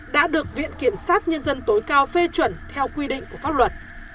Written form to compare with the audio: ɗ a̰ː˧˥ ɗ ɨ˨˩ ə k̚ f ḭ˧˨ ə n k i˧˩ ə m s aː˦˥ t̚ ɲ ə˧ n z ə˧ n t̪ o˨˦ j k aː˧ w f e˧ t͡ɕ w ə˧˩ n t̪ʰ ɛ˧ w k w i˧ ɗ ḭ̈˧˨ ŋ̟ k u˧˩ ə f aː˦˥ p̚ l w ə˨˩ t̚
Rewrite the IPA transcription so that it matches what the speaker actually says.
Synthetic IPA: ɗ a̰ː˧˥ ɗ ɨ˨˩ ə k̚ v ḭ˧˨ ə n k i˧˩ ə m s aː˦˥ t̚ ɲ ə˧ n z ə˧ n t̪ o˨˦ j k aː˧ w f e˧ t͡ɕ w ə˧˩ n t̪ʰ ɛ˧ w k w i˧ ɗ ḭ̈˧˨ ŋ̟ k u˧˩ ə f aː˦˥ p̚ l w ə˨˩ t̚